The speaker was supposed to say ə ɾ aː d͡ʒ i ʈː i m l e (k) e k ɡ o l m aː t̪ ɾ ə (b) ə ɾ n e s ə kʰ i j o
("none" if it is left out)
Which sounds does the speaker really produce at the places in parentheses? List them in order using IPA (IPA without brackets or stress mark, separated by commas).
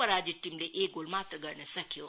ʔ, ɡ